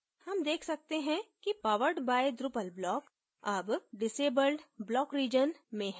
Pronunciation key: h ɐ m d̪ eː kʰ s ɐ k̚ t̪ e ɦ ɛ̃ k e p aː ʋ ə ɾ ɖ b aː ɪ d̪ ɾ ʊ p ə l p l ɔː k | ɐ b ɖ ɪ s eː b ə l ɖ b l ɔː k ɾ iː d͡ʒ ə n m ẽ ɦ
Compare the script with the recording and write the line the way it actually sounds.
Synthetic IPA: h ɐ m d̪ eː kʰ s ɐ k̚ t̪ e ɦ ɛ̃ k i p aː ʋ ə ɾ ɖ b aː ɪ d̪ ɾ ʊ p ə l b l ɔː k | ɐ b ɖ ɪ s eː b ə l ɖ b l ɔː k ɾ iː d͡ʒ ə n m ẽ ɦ